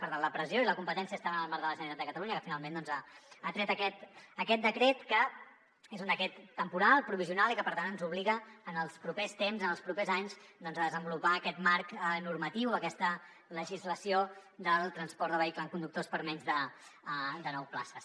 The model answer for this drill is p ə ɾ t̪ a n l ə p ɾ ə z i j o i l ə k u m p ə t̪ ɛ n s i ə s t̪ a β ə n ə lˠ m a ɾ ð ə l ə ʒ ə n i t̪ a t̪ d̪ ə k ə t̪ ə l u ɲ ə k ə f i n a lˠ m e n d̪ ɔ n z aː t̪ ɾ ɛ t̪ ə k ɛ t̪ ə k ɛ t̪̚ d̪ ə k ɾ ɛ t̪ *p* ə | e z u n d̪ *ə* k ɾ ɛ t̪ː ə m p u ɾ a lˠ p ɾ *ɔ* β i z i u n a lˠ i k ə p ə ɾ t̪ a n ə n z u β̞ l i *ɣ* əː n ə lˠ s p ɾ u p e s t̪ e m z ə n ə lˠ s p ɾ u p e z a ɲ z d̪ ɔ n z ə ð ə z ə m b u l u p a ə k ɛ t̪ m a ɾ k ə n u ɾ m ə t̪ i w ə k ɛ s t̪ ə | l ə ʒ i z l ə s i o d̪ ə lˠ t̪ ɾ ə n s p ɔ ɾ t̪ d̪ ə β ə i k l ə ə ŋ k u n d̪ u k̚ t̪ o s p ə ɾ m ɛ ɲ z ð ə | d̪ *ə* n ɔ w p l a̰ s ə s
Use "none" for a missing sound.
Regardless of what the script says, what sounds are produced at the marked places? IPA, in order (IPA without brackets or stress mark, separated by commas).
k, ə, u, ɣ, ə